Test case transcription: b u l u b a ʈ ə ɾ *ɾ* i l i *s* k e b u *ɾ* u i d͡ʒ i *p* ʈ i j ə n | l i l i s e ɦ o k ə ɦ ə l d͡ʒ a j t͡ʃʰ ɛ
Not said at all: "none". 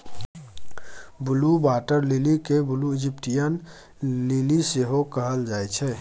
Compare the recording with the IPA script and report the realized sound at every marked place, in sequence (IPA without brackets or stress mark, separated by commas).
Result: l, none, l, p